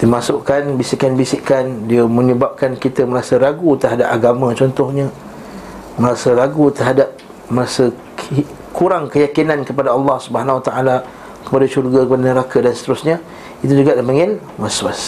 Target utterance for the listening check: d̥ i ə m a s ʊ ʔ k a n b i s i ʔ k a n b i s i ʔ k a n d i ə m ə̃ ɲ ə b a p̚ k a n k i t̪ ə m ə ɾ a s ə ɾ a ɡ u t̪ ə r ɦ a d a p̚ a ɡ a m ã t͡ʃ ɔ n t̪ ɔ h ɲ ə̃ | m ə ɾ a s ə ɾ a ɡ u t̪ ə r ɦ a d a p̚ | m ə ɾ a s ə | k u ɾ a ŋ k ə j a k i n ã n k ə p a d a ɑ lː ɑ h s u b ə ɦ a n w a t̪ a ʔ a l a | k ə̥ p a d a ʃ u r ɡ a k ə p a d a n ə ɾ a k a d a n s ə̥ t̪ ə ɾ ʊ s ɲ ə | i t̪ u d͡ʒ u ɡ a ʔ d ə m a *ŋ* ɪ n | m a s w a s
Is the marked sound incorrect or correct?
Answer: correct